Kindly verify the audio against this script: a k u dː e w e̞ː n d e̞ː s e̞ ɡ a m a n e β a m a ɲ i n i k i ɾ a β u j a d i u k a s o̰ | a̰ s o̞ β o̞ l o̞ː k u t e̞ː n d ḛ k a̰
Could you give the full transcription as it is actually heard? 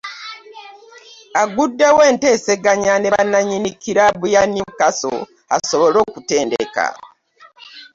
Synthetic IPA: a ɡ u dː e w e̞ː n t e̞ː s e̞ ɡ a ɲ a n e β a n a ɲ i n i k i ɾ a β u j a n i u k a s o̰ | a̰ s o̞ β o̞ l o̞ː k u t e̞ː n d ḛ k a̰